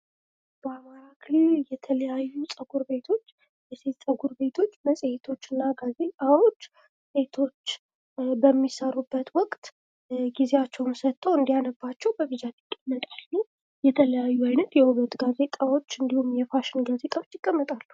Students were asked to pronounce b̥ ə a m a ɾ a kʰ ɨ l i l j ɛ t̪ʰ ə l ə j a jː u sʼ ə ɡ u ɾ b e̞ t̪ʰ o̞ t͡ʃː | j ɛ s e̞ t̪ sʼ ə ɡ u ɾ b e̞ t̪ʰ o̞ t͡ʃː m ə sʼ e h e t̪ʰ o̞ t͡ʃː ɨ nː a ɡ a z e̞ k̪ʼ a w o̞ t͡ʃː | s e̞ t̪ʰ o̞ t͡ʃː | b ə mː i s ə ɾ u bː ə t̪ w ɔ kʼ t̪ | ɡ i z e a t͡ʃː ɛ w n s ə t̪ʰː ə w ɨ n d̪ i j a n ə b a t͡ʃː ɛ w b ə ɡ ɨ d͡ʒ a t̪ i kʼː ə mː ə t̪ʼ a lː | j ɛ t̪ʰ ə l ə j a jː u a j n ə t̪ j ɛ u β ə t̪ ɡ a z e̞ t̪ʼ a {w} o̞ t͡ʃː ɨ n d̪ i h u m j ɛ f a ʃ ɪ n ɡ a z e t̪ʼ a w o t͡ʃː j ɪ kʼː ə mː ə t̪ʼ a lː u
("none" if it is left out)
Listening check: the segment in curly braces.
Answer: w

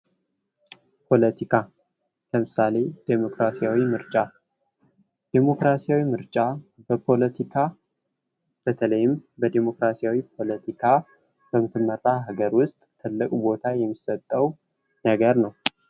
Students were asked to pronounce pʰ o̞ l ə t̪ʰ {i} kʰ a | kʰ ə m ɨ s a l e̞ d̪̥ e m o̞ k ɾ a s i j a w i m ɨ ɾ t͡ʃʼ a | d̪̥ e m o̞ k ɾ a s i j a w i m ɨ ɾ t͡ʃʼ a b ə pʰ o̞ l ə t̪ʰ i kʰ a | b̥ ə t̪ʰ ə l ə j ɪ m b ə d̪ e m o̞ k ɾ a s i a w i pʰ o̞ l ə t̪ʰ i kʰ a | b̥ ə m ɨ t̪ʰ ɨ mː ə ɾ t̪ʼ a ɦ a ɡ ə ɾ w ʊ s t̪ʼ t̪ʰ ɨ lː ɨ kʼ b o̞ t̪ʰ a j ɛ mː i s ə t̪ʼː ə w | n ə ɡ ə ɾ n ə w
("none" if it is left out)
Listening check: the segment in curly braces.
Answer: i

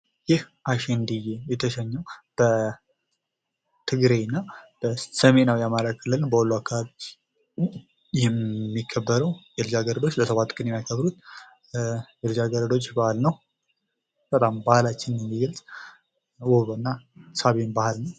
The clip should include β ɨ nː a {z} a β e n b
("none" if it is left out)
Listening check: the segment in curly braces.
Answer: s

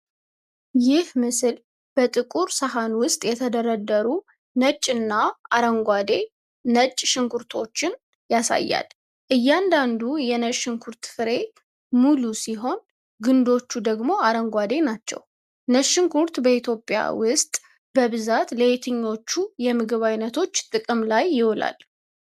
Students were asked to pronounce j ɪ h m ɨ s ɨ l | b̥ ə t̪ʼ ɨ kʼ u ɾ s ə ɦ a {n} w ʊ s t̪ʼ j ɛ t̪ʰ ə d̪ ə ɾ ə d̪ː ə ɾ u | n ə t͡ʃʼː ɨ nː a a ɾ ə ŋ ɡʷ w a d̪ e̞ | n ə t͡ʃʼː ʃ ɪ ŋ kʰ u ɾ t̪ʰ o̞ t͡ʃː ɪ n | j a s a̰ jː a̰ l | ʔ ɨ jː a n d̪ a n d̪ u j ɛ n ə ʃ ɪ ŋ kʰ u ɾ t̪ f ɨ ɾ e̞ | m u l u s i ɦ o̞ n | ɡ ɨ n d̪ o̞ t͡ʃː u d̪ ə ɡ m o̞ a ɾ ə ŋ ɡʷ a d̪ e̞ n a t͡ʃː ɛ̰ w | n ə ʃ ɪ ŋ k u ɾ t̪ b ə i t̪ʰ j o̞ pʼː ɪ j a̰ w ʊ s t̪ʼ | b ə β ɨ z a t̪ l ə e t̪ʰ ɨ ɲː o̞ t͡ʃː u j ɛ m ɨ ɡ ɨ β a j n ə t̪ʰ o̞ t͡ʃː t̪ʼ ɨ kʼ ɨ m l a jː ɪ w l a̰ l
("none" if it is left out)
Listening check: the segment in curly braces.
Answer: n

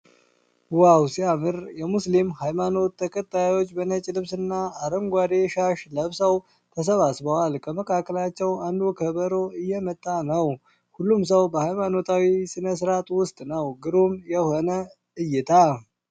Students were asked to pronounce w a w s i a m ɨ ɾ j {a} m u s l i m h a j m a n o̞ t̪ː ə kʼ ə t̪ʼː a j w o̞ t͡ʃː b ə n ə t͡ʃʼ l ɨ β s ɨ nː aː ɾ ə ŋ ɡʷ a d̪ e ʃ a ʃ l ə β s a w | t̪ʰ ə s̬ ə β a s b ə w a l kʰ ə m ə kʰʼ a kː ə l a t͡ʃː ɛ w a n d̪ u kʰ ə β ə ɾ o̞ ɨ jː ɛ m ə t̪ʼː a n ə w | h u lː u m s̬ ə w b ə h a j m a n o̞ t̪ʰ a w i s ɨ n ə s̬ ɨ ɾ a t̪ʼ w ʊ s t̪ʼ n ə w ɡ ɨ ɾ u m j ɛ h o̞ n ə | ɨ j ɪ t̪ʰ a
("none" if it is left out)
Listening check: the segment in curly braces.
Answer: ɛ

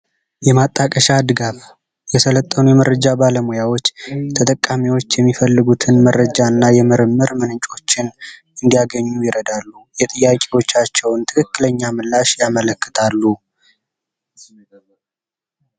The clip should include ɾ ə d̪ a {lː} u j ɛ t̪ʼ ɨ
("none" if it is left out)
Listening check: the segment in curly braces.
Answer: lː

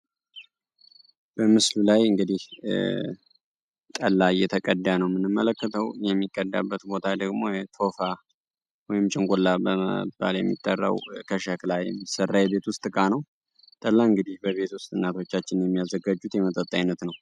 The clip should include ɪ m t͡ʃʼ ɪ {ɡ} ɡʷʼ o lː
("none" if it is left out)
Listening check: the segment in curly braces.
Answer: ŋ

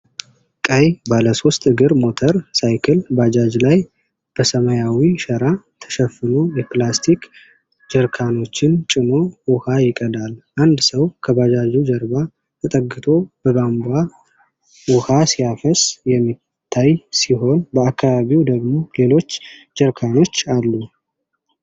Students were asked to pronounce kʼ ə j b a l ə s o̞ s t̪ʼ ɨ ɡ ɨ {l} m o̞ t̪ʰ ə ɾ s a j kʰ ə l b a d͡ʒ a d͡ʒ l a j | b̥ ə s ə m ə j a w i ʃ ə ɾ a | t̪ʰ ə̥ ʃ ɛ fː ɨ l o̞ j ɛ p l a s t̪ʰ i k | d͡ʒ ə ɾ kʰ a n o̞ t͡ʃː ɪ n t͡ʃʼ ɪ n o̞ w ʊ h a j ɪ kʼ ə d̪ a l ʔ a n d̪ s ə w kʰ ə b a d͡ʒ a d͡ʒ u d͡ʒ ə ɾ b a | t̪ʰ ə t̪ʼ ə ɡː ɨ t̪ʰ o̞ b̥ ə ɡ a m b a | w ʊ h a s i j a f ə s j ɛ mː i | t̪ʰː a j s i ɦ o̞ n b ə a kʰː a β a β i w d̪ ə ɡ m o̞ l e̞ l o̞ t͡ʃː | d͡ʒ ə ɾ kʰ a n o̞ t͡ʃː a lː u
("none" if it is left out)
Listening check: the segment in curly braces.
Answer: ɾ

